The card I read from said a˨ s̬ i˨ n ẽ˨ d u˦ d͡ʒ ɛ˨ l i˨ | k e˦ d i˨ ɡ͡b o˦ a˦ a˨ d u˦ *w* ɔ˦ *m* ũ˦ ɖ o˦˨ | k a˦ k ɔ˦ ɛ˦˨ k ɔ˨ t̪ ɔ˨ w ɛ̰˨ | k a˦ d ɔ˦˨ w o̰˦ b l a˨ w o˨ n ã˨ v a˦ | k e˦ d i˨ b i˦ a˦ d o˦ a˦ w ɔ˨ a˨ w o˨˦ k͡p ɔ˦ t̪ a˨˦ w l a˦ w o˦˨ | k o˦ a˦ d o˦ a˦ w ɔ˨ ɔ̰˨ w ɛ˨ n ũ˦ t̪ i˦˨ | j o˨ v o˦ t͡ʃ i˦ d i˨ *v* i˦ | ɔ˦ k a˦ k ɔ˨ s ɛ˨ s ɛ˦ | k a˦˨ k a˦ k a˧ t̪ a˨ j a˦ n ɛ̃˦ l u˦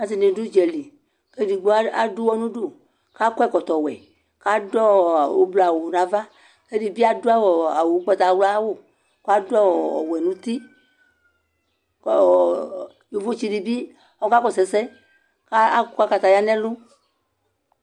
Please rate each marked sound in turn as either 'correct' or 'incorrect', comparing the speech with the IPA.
correct, incorrect: n, incorrect: b

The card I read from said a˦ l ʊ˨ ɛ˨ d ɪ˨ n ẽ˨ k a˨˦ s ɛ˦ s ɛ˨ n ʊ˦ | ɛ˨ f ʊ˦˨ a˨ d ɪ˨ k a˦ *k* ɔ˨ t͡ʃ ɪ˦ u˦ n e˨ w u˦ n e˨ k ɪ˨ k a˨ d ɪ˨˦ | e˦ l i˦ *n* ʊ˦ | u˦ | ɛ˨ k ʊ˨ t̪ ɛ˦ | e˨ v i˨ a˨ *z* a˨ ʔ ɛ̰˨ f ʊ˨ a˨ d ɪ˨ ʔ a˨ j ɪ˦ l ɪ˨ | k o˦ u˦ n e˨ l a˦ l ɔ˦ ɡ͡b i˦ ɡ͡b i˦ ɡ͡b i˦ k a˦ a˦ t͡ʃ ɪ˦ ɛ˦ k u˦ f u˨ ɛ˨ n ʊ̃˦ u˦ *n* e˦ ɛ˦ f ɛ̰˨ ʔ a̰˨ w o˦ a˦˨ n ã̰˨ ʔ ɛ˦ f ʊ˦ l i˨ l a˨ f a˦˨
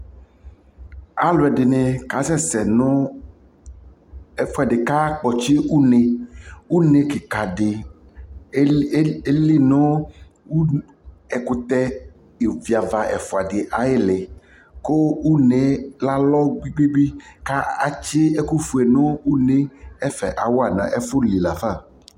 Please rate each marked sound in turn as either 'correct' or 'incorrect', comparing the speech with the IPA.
incorrect: k͡p, correct, incorrect: v, correct

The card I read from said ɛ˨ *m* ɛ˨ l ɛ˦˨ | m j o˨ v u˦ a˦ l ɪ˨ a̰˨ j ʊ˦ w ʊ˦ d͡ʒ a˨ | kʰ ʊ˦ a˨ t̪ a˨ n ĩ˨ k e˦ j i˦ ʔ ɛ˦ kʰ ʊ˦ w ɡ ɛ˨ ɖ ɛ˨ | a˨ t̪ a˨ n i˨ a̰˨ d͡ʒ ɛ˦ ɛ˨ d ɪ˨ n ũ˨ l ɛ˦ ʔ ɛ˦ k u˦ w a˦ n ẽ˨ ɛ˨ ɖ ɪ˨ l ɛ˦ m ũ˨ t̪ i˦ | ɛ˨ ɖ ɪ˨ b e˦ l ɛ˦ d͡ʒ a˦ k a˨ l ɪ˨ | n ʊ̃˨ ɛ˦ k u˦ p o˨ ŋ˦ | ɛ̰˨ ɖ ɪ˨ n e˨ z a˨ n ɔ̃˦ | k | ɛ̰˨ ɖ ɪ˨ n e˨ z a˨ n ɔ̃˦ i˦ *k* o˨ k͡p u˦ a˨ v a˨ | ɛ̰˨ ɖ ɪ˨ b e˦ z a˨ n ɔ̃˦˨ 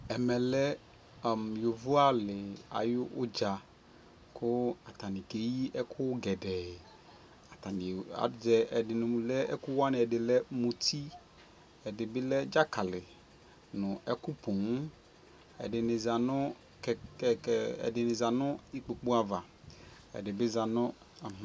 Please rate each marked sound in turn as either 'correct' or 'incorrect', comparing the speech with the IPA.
correct, incorrect: k͡p

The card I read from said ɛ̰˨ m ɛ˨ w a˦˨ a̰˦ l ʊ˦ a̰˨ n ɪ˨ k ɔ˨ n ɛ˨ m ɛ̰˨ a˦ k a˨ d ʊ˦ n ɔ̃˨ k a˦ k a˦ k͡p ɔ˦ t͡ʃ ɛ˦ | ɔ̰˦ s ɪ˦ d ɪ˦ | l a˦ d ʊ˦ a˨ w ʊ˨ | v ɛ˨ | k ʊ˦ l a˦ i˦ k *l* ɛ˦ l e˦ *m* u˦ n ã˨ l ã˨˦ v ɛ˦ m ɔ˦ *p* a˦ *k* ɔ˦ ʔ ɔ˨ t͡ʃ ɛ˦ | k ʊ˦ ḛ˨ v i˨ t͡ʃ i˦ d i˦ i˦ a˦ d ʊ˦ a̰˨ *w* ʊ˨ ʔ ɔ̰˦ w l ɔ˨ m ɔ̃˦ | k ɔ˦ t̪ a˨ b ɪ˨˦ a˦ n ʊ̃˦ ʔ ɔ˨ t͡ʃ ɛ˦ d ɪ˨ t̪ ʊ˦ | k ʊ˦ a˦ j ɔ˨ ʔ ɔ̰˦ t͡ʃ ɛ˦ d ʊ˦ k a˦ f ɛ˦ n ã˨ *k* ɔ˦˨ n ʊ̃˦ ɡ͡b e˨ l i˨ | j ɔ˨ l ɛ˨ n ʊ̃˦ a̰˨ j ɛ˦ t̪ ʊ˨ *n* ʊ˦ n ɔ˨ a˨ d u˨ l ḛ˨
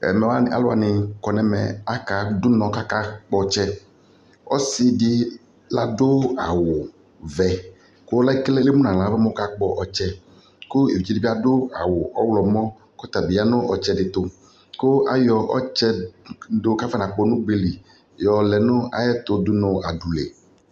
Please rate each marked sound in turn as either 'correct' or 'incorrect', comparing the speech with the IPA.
correct, correct, incorrect: k, incorrect: k͡p, correct, incorrect: k͡p, incorrect: d

